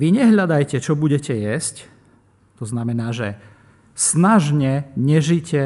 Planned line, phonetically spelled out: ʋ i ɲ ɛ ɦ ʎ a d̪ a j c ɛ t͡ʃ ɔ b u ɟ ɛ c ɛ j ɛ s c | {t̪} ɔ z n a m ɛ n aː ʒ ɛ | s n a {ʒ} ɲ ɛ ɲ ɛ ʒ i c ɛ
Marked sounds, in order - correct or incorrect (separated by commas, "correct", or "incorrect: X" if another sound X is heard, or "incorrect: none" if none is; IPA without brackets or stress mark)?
correct, correct